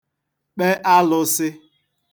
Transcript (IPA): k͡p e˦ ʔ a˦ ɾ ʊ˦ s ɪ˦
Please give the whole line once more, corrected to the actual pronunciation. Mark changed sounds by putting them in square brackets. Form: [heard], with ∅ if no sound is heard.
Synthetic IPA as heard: k͡p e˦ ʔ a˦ [l] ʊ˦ s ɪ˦